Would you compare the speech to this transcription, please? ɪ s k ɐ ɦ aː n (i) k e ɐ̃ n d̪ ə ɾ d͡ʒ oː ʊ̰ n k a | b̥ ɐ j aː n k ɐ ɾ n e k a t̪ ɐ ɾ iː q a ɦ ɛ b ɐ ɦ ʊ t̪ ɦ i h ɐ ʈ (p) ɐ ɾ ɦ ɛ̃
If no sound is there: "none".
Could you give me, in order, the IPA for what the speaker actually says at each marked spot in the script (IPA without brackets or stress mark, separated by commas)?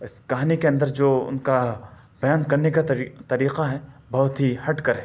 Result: i, k